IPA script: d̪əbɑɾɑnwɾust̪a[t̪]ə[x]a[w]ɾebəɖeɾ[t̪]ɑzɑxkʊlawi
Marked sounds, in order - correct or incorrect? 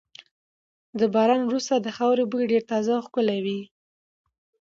incorrect: d̪, correct, correct, correct

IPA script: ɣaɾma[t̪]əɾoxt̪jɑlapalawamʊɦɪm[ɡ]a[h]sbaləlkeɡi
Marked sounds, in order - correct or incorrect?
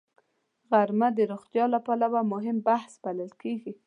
incorrect: d̪, incorrect: b, correct

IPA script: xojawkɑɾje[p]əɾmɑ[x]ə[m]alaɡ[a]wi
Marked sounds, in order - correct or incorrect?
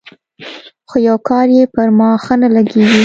correct, correct, incorrect: n, incorrect: e

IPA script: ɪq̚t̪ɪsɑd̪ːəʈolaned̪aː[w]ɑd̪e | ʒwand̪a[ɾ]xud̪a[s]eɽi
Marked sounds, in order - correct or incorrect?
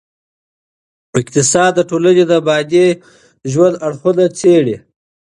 incorrect: b, incorrect: ɽ, incorrect: t͡s

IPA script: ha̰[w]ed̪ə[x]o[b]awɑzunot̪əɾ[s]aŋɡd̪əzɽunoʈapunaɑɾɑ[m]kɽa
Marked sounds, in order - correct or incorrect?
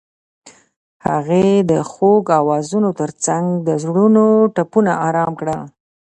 incorrect: ɣ, correct, incorrect: ɡ, incorrect: t͡s, correct

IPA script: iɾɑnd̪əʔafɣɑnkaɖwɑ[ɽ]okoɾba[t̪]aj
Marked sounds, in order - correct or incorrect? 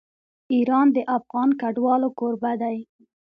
incorrect: l, incorrect: d̪

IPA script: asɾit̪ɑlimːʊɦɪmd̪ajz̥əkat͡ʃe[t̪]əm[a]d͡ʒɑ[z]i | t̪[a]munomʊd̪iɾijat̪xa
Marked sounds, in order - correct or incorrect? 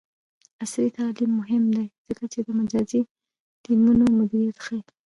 incorrect: d̪, correct, correct, incorrect: i

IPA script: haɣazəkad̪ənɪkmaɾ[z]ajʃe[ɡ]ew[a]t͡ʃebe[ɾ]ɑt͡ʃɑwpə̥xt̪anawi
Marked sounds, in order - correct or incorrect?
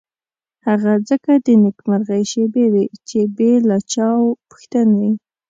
incorrect: ɣ, incorrect: b, incorrect: e, incorrect: l

